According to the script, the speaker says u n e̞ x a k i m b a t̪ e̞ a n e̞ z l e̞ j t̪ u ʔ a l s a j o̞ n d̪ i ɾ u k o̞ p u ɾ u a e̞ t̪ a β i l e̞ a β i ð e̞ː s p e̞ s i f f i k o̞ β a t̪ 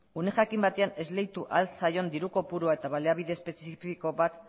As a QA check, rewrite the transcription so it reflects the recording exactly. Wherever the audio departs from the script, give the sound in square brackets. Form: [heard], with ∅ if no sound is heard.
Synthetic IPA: u n e̞ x a k i m b a t̪ e̞ a n e̞ z l e̞ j t̪ u ʔ a l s a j o̞ n d̪ i ɾ u k o̞ p u ɾ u a e̞ t̪ a β [a] l e̞ a β i ð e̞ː s p e̞ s i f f i k o̞ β a t̪